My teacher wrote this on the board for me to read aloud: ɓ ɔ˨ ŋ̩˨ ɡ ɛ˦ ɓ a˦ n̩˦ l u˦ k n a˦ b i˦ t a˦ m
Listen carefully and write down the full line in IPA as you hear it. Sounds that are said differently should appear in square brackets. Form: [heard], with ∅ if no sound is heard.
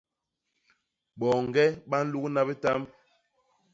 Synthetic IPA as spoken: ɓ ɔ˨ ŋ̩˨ ɡ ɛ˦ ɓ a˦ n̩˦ l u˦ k n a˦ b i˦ t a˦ m